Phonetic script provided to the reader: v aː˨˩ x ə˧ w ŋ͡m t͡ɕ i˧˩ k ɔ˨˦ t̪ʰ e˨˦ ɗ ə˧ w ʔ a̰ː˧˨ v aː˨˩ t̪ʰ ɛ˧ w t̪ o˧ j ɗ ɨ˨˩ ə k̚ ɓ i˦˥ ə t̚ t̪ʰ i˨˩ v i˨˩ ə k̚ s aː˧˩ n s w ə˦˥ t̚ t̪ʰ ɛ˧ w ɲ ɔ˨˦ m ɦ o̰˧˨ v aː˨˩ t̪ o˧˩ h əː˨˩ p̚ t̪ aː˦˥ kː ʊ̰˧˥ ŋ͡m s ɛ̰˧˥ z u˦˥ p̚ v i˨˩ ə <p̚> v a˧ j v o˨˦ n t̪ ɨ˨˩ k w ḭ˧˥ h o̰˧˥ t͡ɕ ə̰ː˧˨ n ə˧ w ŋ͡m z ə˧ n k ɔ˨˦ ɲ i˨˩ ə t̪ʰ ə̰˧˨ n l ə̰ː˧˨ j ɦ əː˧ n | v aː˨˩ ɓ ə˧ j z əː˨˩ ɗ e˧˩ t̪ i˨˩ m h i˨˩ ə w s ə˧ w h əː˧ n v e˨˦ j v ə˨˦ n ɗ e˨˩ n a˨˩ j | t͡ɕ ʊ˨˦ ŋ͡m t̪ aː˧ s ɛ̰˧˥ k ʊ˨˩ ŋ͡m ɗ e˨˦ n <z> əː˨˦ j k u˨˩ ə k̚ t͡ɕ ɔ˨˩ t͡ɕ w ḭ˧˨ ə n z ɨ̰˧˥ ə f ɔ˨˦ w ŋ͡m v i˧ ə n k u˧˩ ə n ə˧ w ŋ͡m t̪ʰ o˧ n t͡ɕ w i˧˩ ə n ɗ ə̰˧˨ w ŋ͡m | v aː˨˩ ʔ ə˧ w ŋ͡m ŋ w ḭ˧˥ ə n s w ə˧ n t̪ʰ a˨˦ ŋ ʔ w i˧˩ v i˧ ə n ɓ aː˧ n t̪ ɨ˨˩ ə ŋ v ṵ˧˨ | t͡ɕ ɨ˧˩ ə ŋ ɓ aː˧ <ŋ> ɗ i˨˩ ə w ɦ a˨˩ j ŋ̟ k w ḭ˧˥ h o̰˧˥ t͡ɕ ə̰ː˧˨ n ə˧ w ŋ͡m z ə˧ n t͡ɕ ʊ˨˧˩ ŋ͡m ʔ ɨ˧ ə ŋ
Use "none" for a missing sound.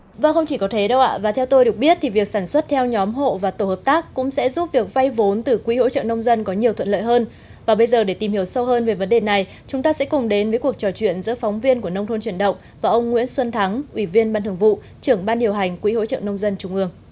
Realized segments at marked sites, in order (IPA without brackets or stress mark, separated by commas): k̚, v, n